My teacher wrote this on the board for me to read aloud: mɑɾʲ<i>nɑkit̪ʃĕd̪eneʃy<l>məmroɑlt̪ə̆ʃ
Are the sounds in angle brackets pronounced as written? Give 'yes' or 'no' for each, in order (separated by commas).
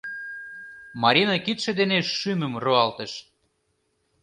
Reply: yes, no